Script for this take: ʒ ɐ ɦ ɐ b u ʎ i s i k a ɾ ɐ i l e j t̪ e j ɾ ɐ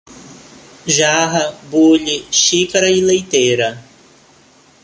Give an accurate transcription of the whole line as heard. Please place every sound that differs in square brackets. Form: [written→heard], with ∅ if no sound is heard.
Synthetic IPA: ʒ [ɐ→a] ɦ ɐ b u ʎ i [s→ʃ] i k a ɾ ɐ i l e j t̪ e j ɾ ɐ